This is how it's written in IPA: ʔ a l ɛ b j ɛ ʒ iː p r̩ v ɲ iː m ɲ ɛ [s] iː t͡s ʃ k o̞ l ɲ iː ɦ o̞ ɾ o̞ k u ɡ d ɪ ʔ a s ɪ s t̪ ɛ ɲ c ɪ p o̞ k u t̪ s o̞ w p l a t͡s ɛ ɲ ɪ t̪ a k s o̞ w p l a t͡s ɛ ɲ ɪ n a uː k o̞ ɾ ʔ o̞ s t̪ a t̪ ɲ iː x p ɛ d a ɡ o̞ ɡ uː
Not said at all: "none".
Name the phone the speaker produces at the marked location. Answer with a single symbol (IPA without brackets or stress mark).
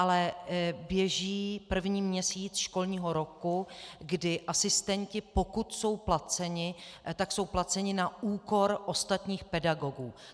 s